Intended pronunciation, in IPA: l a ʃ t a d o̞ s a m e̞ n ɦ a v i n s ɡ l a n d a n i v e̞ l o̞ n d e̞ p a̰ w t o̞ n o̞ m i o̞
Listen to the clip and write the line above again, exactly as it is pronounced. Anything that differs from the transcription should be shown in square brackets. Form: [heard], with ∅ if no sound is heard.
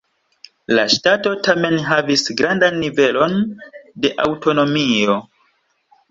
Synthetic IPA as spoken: l a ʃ t a [t] o̞ [t] a m e̞ n ɦ a v i [∅] s ɡ [ɾ] a n d a [nː] i v e̞ l o̞ n d e̞ [ʔ] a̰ w t o̞ n o̞ m i o̞